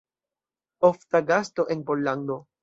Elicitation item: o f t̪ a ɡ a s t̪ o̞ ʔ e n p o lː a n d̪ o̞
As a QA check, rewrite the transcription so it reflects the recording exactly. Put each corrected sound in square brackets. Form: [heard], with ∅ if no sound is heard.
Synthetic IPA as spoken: o f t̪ a ɡ a s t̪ o̞ ʔ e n p o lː a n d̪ o̞